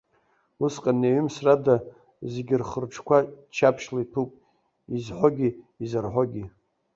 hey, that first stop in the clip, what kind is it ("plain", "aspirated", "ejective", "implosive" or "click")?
ejective